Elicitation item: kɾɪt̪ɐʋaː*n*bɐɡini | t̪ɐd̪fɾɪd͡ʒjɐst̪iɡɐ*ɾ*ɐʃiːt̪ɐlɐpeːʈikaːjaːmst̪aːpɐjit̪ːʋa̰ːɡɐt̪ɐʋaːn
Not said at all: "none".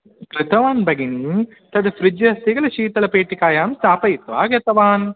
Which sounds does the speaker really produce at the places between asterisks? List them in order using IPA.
n, l

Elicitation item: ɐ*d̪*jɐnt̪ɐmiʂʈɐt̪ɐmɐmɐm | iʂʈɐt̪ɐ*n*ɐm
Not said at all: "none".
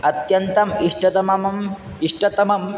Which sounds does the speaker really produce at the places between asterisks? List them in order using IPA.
t̪, m

